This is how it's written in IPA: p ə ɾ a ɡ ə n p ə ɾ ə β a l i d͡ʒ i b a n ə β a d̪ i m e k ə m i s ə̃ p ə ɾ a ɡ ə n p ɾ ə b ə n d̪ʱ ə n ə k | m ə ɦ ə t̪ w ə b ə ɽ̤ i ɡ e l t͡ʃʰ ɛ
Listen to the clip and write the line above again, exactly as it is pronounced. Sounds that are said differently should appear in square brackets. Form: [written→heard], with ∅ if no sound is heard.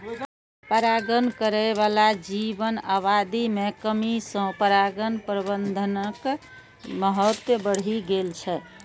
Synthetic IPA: p ə ɾ a ɡ ə n [p→k] ə ɾ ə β a l [i→a] d͡ʒ i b [a→ə] n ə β a d̪ i m e k ə m i s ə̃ p ə ɾ a ɡ ə n p ɾ ə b ə n d̪ʱ ə n ə k | m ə ɦ ə t̪ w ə b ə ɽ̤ i ɡ e l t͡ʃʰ ɛ